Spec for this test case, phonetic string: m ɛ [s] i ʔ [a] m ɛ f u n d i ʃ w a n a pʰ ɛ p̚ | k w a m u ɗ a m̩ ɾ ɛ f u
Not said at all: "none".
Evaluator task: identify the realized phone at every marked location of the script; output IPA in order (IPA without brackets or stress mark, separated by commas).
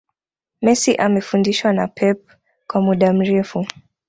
s, a